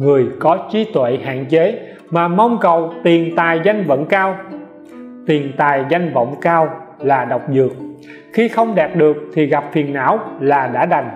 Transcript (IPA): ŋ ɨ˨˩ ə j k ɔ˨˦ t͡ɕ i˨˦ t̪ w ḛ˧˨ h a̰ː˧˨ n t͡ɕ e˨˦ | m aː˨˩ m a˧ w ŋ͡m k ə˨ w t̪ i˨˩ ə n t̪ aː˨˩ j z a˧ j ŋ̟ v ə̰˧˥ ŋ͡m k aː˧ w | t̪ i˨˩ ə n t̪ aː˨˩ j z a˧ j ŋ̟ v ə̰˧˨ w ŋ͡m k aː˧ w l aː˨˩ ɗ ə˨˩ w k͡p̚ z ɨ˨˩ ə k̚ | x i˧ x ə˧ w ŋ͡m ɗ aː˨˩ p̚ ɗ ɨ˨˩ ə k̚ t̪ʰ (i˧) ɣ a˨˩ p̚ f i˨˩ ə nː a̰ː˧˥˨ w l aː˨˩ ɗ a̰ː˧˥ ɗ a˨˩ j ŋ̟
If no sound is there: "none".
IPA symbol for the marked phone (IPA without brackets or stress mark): i˨˩